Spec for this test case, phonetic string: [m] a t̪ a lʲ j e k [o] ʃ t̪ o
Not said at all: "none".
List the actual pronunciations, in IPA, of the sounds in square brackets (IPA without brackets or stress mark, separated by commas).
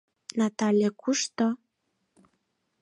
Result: n, u